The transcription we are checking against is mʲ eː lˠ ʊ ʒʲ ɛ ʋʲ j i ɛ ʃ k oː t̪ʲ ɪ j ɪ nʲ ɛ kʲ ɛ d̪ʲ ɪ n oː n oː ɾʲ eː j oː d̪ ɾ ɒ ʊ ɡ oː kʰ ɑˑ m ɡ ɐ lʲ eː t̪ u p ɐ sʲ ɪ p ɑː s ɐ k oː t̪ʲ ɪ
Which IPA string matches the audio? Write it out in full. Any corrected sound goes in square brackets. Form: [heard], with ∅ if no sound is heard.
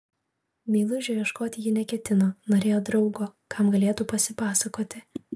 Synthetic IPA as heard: mʲ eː lˠ ʊ ʒʲ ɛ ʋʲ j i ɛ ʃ k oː t̪ʲ ɪ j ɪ nʲ ɛ kʲ ɛ [t̪ʲ] ɪ n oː n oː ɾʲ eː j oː d̪ ɾ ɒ ʊ ɡ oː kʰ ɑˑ m ɡ ɐ lʲ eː t̪ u p ɐ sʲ ɪ p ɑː s ɐ k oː t̪ʲ ɪ